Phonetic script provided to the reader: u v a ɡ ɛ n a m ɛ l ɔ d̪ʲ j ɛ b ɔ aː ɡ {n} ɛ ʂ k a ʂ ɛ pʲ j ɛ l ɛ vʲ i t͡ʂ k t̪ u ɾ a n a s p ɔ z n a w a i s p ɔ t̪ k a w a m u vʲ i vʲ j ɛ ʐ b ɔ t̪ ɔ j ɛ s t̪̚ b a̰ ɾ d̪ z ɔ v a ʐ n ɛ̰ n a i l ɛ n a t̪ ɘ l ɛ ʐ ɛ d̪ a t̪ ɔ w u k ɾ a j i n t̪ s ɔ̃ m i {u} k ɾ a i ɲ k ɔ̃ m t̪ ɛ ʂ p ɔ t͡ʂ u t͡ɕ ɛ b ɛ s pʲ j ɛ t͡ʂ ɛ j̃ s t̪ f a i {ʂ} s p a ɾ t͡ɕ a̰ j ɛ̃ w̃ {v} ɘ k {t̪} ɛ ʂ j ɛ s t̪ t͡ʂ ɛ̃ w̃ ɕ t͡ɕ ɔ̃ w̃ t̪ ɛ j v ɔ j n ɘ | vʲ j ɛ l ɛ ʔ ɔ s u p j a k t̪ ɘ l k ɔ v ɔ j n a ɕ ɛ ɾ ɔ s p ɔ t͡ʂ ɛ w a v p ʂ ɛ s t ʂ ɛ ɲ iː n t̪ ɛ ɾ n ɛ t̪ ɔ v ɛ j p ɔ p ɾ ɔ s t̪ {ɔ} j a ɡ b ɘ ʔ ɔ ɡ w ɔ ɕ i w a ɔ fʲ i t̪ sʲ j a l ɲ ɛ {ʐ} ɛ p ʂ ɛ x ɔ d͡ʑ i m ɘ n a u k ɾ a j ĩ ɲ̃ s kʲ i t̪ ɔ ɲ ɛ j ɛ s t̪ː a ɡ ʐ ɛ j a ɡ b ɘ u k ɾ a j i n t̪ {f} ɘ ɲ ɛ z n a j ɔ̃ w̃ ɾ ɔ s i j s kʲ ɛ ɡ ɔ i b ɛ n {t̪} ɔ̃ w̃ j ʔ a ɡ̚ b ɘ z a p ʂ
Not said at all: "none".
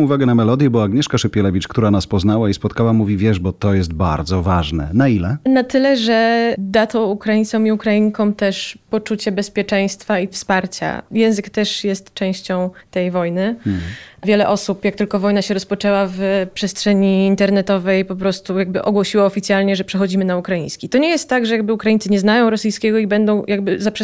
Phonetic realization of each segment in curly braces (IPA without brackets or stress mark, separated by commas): ɲ, u, f, z, t̪, u, ʐ, s, d̪